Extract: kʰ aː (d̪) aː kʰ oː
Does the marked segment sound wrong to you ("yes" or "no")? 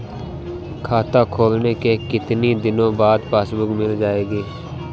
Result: yes